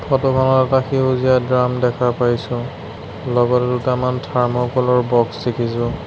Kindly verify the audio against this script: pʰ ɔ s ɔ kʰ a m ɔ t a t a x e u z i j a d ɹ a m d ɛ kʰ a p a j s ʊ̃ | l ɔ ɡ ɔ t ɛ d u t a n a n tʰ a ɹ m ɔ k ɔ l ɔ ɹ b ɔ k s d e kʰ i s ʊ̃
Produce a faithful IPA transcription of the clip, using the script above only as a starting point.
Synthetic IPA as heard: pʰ ɔ t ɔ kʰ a n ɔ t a t a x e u z i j a d ɹ a m d ɛ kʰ a p a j s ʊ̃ | l ɔ ɡ ɔ t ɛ d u t a m a n tʰ a ɹ m ɔ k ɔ l ɔ ɹ b ɔ k s d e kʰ i s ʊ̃

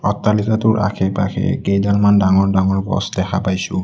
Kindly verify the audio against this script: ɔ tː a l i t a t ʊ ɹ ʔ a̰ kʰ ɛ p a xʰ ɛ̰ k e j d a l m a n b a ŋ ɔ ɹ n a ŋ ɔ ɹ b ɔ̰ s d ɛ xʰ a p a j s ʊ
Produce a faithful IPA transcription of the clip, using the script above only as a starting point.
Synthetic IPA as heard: ɔ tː a l i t a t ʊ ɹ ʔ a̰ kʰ ɛ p a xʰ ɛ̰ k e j d a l m a n d a ŋ ɔ ɹ d a ŋ ɔ ɹ b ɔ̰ s d ɛ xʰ a p a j s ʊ

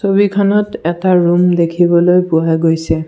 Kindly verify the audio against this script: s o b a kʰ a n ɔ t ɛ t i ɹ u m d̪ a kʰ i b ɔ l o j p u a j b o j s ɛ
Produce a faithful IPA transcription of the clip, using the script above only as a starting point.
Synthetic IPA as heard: s o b i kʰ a n ɔ t ɛ t a ɹ u m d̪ e kʰ i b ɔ l o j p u a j ɡ o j s ɛ

